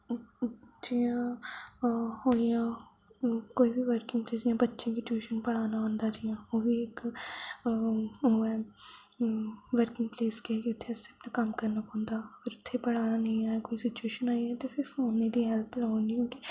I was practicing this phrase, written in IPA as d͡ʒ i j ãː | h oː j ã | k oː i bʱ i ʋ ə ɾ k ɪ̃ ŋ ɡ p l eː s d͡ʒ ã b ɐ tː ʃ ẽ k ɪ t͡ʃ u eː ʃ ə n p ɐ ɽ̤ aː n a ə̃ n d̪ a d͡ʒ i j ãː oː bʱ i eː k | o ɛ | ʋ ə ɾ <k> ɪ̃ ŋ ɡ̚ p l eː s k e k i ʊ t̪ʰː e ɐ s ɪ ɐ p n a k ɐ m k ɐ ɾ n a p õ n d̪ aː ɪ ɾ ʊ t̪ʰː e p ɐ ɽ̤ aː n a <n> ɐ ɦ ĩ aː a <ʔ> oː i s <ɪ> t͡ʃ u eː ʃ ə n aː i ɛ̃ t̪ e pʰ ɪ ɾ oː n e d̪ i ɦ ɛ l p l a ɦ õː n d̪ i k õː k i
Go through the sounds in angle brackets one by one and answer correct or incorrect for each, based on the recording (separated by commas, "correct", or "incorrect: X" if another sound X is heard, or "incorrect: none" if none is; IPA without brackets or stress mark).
correct, correct, incorrect: k, correct